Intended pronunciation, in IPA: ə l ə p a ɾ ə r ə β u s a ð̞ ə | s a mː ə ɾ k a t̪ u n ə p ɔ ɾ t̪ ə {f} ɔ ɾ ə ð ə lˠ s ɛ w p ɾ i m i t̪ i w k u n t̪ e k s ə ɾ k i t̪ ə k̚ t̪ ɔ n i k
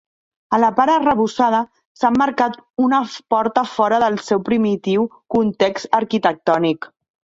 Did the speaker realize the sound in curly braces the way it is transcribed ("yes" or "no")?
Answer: yes